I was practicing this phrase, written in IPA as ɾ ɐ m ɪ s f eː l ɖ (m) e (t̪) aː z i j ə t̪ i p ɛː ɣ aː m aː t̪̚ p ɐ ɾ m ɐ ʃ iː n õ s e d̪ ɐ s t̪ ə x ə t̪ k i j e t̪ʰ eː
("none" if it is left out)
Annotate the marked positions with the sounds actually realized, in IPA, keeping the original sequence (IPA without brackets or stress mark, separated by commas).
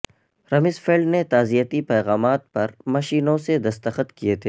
n, t̪